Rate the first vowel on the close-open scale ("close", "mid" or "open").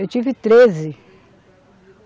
mid